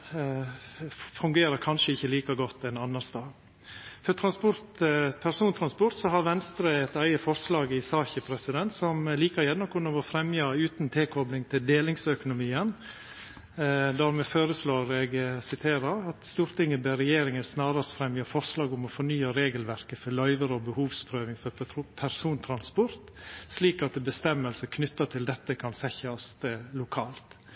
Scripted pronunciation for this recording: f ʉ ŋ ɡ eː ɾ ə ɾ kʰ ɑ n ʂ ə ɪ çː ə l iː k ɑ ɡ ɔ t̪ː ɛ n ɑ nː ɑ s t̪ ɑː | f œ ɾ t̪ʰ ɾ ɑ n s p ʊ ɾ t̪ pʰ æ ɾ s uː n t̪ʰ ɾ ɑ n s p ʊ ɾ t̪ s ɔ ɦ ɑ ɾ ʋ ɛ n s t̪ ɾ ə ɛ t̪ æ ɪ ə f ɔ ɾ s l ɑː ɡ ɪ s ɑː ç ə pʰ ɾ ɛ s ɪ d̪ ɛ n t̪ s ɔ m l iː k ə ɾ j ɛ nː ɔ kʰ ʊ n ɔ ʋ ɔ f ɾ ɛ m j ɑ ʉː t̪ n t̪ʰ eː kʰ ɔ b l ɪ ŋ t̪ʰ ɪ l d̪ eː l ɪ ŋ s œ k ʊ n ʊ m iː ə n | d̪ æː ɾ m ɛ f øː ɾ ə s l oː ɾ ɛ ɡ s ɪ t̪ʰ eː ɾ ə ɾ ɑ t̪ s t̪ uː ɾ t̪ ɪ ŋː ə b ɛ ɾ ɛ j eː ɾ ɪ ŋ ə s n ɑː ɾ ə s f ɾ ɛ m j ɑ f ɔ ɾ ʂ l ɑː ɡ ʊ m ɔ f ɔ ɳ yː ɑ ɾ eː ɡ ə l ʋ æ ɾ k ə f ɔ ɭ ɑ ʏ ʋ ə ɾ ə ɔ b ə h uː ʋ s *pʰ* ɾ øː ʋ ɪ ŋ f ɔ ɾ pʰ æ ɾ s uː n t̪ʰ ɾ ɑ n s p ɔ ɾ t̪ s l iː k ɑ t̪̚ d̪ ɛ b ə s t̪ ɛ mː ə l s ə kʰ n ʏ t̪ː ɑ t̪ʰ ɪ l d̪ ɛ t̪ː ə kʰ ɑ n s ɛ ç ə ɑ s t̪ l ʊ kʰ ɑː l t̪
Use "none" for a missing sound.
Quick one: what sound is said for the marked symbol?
pʰ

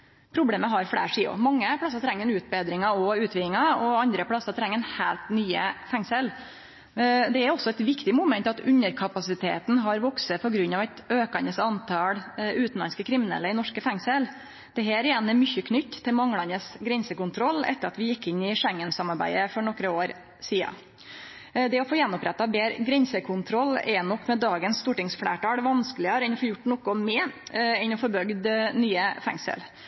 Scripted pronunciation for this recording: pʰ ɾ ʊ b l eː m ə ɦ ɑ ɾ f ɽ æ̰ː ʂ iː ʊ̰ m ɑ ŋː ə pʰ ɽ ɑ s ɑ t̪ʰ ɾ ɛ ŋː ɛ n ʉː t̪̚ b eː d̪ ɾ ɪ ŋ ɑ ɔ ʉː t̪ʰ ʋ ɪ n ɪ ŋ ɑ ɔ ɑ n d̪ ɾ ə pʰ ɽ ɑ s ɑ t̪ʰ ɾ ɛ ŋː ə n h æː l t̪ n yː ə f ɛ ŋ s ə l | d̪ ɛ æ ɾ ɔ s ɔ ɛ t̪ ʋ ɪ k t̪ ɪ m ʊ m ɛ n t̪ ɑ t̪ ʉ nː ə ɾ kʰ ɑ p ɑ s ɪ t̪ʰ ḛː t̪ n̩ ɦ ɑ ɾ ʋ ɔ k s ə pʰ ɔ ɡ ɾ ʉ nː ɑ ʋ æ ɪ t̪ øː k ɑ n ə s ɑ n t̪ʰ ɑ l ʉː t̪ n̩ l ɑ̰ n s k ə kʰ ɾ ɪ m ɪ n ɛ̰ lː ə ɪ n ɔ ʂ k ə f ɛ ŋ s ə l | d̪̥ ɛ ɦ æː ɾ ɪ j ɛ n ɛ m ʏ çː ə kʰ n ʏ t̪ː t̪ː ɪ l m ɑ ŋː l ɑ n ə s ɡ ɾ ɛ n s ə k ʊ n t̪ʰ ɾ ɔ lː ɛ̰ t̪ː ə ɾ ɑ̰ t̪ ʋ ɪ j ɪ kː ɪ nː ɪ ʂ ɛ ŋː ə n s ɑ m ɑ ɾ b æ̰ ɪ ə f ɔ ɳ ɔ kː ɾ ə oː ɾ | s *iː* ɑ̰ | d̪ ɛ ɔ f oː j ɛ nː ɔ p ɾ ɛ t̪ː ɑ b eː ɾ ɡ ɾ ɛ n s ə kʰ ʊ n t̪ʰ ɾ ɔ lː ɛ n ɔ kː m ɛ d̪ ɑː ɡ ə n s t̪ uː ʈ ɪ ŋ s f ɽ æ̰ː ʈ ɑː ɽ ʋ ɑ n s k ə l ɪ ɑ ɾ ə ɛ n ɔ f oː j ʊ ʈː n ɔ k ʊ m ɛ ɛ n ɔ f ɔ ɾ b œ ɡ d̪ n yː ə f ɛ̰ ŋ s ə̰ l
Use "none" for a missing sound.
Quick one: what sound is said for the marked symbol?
iː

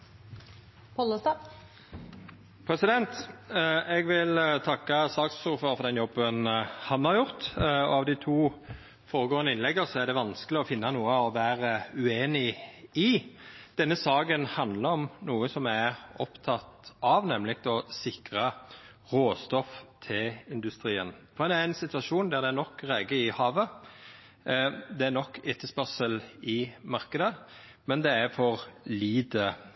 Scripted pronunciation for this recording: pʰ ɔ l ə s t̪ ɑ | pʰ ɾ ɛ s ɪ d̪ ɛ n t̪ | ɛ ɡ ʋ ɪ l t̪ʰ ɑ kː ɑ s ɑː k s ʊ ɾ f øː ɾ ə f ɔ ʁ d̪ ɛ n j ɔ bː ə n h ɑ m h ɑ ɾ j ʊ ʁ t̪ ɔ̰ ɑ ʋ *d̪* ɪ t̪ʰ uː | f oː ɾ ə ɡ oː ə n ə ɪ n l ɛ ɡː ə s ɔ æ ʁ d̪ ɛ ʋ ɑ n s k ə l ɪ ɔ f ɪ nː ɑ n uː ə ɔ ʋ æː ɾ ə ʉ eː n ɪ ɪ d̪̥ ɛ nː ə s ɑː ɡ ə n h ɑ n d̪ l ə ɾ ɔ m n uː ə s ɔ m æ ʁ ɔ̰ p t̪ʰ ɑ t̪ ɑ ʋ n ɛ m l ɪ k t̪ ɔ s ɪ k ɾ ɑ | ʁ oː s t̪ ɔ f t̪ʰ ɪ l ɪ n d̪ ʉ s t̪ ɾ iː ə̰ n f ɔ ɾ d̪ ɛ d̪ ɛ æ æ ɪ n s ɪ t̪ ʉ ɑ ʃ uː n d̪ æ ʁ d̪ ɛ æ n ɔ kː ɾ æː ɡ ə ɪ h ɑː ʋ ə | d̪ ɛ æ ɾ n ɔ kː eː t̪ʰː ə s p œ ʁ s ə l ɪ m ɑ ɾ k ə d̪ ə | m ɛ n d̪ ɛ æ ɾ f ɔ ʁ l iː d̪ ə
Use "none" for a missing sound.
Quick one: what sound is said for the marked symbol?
d̪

